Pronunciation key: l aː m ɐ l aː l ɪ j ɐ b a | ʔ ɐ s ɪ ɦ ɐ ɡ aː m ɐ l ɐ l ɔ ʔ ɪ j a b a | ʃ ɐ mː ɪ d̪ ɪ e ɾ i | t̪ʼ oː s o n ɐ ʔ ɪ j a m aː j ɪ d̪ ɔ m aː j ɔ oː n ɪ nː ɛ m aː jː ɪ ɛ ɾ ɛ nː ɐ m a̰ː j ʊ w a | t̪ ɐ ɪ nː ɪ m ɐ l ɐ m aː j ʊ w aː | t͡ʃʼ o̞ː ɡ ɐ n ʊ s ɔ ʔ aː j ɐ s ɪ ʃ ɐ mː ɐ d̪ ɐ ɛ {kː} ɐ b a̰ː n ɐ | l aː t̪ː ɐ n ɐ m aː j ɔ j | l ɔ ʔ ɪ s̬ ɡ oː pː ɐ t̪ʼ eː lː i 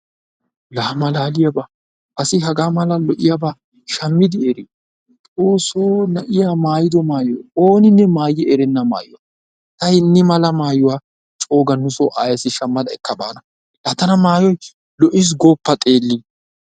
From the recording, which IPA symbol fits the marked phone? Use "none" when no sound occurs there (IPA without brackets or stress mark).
kː